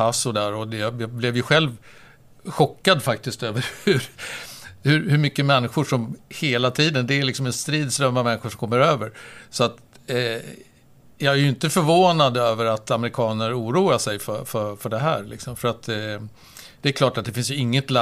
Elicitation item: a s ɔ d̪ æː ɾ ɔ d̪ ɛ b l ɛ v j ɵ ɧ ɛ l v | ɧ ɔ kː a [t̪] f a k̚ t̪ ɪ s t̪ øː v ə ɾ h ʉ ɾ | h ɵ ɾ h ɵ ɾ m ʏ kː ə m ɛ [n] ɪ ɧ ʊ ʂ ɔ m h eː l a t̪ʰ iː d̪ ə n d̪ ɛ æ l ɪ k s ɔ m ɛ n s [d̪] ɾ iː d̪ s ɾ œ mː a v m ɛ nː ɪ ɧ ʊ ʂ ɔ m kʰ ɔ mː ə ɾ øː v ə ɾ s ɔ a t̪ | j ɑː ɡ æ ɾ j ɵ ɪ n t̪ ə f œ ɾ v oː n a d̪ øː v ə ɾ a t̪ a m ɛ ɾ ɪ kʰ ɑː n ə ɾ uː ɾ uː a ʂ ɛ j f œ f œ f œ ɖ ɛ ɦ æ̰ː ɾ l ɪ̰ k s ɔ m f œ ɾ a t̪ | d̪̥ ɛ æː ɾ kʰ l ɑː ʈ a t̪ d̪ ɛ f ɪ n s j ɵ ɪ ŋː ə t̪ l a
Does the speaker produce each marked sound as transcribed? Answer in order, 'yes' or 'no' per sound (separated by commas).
no, no, no